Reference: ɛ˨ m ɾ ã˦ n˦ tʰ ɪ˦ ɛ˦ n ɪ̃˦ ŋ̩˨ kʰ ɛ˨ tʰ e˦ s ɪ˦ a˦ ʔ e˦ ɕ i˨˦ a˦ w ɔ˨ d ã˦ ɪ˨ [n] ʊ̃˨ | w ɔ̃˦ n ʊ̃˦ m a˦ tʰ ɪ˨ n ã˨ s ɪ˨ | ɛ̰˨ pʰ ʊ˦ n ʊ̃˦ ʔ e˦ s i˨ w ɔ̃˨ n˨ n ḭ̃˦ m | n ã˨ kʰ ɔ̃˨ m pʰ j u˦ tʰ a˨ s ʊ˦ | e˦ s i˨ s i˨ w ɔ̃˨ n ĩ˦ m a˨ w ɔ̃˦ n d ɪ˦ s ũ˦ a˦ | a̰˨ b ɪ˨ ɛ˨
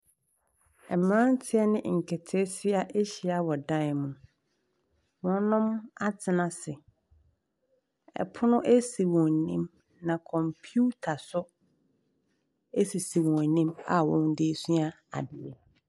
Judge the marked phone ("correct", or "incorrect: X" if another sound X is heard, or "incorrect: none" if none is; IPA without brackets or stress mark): incorrect: m